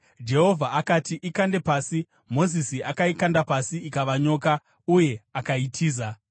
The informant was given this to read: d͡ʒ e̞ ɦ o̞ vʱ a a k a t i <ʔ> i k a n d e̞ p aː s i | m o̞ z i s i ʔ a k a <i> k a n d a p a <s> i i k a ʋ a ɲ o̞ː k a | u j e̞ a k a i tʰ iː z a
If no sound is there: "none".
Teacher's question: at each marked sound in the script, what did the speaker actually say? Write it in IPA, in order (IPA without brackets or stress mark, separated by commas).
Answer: ʔ, i, s